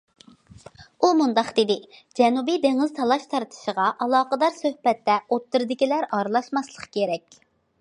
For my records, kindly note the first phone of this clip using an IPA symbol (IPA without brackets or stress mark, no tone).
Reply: u